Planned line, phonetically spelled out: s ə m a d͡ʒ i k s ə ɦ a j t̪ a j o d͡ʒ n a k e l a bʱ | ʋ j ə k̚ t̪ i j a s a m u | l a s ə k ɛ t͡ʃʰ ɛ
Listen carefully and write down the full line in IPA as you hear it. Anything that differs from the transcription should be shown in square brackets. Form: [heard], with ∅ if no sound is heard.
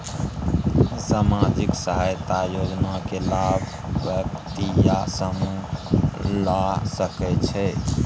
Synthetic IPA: s [a] m a d͡ʒ i k s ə ɦ a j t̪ a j o d͡ʒ n a k e l a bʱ | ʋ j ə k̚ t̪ i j a s [ə] m u | l a s ə k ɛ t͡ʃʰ ɛ

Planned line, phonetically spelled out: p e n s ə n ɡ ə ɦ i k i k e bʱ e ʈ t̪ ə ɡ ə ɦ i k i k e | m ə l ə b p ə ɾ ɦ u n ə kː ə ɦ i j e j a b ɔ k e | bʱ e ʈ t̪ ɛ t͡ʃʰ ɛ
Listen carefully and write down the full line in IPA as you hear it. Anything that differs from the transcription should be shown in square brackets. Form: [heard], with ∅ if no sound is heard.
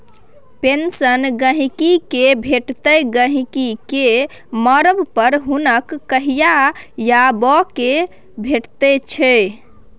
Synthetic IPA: p e n s ə n ɡ ə ɦ i k i k e bʱ e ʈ t̪ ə ɡ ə ɦ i k i k e | m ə [ɾ] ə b p ə ɾ ɦ u n ə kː ə ɦ i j [a] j a b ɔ k e | bʱ e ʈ t̪ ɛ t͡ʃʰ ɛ

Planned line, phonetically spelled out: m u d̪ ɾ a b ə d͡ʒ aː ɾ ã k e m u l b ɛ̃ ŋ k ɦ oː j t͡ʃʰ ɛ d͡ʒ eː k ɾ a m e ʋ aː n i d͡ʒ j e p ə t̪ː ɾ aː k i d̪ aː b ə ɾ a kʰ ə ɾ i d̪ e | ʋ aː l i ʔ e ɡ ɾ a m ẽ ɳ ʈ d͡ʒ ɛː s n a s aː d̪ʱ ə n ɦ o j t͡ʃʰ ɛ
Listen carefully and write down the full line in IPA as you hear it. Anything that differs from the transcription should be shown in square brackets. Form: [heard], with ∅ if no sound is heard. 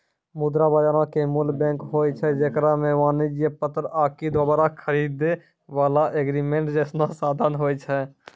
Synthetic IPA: m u d̪ ɾ a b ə d͡ʒ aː ɾ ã k e m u l b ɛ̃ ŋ k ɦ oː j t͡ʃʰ ɛ d͡ʒ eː k ɾ a m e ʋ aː n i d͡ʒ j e p ə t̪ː ɾ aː k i d̪ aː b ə ɾ a kʰ ə ɾ i d̪ e | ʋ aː l [a] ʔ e ɡ ɾ [i] m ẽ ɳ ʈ d͡ʒ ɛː s n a s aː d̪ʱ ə n ɦ o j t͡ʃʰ ɛ

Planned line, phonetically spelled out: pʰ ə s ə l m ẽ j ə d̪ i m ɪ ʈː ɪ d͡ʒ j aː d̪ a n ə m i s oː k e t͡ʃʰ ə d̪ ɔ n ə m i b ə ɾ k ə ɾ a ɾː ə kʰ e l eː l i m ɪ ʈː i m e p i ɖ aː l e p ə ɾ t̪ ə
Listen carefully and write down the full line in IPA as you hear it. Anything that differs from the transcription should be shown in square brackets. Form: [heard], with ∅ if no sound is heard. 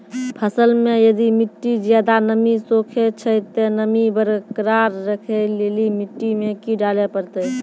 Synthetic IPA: pʰ ə s ə l m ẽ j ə d̪ i m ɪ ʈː [i] d͡ʒ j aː d̪ a n ə m i s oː [kʰ] e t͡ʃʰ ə [t̪] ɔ n ə m i b ə ɾ k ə ɾ a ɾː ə kʰ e l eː l i m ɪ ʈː i m e [k] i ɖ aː l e p ə ɾ t̪ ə

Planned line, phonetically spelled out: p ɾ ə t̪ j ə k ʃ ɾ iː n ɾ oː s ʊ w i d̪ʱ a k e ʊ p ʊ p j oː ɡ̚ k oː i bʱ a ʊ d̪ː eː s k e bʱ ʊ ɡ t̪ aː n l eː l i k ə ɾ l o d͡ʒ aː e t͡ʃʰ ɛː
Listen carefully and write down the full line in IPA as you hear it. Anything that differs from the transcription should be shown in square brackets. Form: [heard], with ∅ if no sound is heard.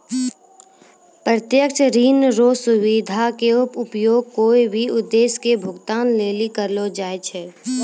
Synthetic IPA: p ɾ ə t̪ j ə k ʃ ɾ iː n ɾ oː s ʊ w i d̪ʱ a k e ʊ p ʊ p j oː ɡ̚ k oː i bʱ [i] ʊ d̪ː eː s k e bʱ ʊ ɡ t̪ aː n l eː l i k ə ɾ l o d͡ʒ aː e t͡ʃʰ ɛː

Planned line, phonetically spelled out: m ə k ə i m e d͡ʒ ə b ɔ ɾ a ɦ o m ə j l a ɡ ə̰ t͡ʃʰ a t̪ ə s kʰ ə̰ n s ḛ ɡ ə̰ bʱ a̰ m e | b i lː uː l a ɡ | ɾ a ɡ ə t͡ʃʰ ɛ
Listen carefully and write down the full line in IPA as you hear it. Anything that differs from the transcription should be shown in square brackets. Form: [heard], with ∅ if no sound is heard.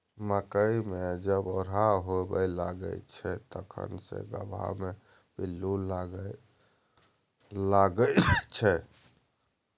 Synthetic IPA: m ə k ə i m e d͡ʒ ə b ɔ ɾ a ɦ o [b] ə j l a ɡ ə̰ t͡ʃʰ [ɛ] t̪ ə [∅] kʰ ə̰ n s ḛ ɡ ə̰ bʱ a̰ m e | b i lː [u] l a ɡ | [l] a ɡ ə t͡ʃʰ ɛ

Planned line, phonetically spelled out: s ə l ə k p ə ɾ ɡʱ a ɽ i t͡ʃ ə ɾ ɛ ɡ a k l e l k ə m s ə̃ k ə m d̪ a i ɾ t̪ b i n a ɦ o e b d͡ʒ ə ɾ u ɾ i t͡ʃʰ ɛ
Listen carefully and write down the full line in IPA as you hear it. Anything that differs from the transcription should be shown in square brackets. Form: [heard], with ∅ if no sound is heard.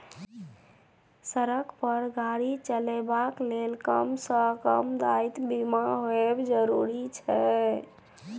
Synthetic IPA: s ə [ɾ] ə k p ə ɾ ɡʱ a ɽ i t͡ʃ ə [l] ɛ [b] a k l e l k ə m s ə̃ k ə m d̪ a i [∅] t̪ b i [m] a ɦ o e b d͡ʒ ə ɾ u ɾ i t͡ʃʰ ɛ

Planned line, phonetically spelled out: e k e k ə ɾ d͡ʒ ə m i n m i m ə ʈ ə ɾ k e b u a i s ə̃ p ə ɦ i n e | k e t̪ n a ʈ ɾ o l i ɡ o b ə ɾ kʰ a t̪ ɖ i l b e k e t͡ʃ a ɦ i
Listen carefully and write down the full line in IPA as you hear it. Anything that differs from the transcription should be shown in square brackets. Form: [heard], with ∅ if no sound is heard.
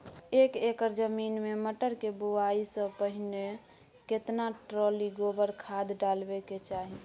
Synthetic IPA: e k e k ə ɾ d͡ʒ ə m i n m [e] m ə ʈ ə ɾ k e b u a i s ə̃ p ə ɦ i n e | k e t̪ n a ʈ ɾ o l i ɡ o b ə ɾ kʰ a [d̪] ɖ [a] l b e k e t͡ʃ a ɦ i

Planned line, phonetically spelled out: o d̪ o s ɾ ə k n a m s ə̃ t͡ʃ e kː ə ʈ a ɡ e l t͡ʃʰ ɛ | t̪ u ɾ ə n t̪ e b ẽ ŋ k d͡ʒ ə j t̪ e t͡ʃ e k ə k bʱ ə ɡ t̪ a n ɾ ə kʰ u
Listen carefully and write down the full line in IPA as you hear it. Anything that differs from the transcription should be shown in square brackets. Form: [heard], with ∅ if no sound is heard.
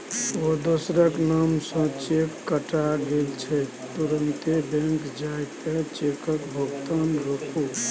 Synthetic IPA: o d̪ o s ɾ ə k n a m s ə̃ t͡ʃ e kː ə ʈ a ɡ e l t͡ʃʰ ɛ | t̪ u ɾ ə n t̪ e b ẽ ŋ k d͡ʒ [a] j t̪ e t͡ʃ e k ə k bʱ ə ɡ t̪ a n ɾ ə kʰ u

